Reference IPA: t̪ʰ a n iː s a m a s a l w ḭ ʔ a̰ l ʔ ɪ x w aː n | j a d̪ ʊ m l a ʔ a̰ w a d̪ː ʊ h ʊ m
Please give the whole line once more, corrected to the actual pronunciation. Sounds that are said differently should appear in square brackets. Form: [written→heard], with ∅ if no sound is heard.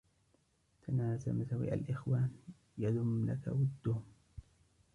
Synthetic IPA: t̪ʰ a n [iː→aː] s a m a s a [l→∅] w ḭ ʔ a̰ l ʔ ɪ x w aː n | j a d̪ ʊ m l a [ʔ→k] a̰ w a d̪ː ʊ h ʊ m